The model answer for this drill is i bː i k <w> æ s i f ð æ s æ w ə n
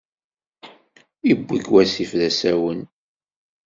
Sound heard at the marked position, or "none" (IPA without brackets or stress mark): w